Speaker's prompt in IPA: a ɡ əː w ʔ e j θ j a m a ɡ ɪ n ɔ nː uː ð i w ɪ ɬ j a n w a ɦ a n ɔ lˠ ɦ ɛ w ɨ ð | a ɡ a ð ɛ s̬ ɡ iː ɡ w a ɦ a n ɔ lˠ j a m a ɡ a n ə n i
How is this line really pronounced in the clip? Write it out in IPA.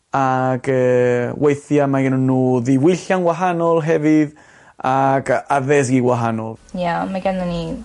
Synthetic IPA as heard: a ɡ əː w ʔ e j θ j a m a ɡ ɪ n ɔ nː uː ð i w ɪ ɬ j a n w a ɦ a n ɔ lˠ ɦ ɛ v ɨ ð | a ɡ a ð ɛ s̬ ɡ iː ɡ w a ɦ a n ɔ lˠ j a m a ɡ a n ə n i